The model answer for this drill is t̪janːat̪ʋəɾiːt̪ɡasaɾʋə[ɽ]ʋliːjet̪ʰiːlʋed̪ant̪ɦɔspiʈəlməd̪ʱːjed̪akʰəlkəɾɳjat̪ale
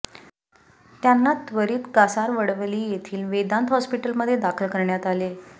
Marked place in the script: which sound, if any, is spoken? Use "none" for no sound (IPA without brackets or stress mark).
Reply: ɽ